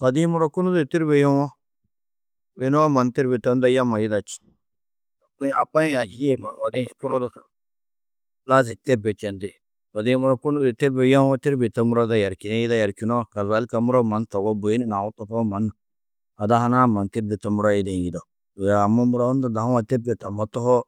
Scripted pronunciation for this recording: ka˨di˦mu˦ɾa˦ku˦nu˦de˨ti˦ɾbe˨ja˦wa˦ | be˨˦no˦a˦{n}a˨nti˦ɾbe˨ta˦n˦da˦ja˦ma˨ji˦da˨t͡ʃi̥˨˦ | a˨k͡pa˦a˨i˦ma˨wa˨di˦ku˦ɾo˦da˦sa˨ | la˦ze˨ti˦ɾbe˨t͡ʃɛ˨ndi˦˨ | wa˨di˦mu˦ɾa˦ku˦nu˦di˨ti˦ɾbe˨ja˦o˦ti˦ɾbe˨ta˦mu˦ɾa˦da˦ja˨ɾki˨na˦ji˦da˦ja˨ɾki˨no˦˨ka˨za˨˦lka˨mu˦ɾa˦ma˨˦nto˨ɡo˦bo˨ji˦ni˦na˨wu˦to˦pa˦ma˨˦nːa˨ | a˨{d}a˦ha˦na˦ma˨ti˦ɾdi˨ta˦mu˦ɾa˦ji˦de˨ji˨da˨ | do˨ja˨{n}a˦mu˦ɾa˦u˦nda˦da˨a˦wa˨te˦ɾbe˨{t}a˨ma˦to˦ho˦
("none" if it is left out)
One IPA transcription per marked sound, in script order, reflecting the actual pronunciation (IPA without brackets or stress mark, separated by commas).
m, d, m, t